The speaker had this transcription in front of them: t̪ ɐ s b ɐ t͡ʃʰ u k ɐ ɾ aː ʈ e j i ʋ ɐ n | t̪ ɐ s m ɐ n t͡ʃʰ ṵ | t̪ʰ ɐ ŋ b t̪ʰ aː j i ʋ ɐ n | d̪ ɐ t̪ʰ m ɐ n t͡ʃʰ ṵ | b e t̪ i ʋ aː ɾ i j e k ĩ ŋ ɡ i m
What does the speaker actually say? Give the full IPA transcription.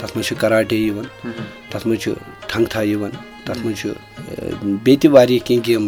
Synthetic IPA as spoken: t̪ ɐ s m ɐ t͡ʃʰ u k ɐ ɾ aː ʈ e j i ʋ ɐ n | t̪ ɐ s m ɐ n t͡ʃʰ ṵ | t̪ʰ ɐ ŋ ɡ t̪ʰ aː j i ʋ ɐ n | t̪ ɐ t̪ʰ m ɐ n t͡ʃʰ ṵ | b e t̪ i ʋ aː ɾ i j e k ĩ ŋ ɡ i m